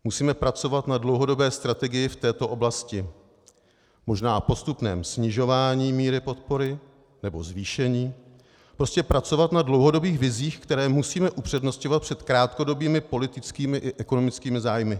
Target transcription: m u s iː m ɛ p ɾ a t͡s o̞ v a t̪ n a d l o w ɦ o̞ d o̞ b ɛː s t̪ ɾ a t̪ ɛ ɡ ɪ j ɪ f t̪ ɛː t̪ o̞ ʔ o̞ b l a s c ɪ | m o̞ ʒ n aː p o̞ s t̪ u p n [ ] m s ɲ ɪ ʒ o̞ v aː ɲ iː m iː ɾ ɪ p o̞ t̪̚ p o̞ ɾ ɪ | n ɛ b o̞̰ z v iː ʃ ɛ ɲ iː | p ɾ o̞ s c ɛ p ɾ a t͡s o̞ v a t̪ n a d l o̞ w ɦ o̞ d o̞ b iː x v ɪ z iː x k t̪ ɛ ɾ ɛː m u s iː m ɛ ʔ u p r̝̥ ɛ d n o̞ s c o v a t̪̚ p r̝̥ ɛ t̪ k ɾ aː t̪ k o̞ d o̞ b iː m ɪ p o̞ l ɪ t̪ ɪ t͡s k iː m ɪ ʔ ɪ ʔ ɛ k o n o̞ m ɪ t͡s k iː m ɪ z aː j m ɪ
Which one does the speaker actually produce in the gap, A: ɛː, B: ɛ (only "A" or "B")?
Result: A